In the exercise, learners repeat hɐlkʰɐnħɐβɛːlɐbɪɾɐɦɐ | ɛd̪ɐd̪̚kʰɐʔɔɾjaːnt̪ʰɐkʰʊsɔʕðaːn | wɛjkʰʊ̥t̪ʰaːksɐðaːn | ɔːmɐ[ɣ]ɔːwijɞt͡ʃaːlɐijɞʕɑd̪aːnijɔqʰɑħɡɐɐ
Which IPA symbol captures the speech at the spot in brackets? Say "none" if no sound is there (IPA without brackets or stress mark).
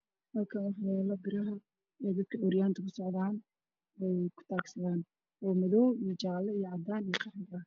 ð